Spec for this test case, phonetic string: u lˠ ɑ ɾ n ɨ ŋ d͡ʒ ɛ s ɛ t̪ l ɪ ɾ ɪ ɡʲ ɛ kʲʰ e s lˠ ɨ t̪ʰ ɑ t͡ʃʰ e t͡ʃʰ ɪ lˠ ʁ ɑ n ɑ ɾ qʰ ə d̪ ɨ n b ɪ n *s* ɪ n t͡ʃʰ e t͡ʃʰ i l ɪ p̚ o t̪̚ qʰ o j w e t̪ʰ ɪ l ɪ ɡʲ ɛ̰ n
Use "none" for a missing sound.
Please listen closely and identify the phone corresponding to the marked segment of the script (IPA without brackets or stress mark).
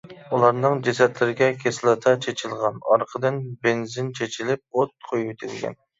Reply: z